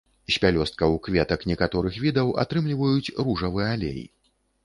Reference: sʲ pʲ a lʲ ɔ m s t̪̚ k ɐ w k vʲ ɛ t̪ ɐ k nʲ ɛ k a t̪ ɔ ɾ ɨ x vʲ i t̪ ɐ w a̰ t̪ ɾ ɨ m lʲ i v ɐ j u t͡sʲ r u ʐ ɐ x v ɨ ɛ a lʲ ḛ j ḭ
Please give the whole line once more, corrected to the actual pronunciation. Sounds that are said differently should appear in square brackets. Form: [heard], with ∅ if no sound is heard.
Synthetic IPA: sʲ pʲ a lʲ ɔ [∅] s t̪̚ k ɐ w k vʲ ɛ t̪ ɐ k nʲ ɛ k a t̪ ɔ ɾ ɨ x vʲ i [d̪] ɐ w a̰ t̪ ɾ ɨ m lʲ i v ɐ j u t͡sʲ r u ʐ ɐ [∅] v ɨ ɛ a lʲ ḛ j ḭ